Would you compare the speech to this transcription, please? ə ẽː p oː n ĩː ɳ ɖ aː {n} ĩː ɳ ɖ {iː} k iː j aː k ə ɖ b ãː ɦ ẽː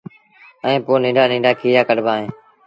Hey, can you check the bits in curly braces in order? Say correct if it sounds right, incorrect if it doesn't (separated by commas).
correct, incorrect